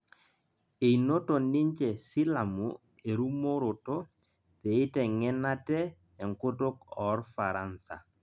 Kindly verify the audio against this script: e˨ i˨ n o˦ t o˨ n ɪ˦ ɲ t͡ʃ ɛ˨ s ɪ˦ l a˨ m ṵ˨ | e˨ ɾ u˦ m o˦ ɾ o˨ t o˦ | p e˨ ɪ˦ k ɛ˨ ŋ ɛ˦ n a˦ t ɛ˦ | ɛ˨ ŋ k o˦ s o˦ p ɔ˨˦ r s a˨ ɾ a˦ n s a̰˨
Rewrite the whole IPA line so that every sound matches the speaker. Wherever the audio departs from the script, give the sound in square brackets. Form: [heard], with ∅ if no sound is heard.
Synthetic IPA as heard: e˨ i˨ n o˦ t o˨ n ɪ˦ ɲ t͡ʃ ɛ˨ s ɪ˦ l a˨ m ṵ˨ | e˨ ɾ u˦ m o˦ ɾ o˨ t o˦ | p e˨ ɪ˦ [t] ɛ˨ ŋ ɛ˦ n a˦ t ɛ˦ | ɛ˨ ŋ k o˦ [t] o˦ [k] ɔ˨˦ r [f] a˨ ɾ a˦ n s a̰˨